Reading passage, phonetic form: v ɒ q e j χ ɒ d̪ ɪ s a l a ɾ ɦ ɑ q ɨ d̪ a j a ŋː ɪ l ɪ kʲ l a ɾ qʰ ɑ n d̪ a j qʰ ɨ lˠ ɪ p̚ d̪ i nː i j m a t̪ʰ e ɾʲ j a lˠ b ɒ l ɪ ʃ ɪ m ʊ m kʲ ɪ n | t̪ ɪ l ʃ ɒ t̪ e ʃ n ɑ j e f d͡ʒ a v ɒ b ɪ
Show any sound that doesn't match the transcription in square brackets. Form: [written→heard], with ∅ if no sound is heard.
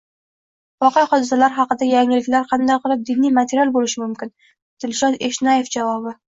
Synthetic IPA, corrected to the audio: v ɒ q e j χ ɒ d̪ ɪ s a l a ɾ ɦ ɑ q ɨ d̪ a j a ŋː ɪ l ɪ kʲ l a ɾ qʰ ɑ n d̪ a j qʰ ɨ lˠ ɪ p̚ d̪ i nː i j m a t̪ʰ e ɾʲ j a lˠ b [ɒ→o] l ɪ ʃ ɪ m ʊ m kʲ ɪ n | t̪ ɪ l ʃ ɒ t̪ e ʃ n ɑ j e f d͡ʒ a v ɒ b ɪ